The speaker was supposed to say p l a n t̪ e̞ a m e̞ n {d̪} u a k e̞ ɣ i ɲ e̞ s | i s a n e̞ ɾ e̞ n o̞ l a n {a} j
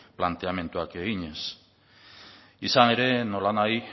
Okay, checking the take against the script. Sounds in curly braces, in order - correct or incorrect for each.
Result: incorrect: t̪, correct

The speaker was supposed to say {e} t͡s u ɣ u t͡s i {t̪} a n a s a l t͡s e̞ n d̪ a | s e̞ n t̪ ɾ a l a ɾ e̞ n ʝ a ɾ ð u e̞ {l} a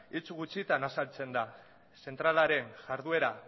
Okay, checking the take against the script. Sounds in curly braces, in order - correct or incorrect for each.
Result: incorrect: i, correct, incorrect: ɾ

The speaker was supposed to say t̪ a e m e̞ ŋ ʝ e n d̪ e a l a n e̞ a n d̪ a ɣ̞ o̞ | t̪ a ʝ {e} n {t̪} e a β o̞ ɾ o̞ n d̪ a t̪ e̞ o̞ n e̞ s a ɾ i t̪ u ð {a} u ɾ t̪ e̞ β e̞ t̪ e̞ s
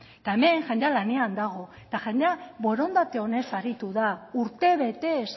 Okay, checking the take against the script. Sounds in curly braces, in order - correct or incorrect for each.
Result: correct, incorrect: d̪, correct

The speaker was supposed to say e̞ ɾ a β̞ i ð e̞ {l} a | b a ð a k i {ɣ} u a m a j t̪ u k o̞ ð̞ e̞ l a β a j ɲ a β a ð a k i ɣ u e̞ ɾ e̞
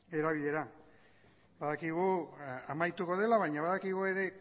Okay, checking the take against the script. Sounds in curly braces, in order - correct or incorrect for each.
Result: incorrect: ɾ, correct

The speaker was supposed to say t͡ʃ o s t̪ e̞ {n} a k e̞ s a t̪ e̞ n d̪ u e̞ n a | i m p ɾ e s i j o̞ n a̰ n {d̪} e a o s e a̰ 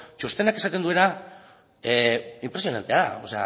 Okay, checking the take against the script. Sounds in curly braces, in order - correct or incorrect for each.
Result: correct, incorrect: t̪

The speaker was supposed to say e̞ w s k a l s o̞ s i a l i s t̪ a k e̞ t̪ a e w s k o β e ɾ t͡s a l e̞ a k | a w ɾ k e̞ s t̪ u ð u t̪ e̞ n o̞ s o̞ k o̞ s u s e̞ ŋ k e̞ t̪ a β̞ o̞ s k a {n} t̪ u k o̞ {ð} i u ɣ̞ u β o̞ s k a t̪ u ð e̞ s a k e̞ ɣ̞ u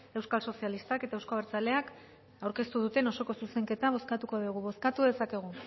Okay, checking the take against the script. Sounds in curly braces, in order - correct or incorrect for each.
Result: incorrect: none, correct

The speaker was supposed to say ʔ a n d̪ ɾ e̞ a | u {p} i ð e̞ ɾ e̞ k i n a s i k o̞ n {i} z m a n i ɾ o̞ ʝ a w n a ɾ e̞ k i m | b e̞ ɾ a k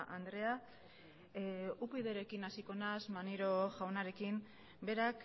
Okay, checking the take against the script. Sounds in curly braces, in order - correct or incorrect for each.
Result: correct, incorrect: a

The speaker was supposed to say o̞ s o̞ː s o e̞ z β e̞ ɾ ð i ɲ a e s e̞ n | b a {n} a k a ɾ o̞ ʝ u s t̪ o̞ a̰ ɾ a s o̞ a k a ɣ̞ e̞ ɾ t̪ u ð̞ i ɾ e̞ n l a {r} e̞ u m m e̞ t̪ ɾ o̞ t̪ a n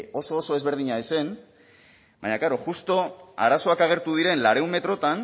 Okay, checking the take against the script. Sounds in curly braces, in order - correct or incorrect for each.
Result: incorrect: ɲ, incorrect: ɾ

